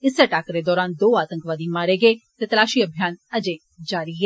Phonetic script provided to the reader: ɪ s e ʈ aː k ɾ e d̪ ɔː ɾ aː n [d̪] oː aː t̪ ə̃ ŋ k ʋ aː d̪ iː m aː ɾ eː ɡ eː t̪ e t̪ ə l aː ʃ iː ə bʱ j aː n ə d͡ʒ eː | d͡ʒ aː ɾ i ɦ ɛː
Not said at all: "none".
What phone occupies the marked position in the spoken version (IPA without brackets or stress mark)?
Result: d̪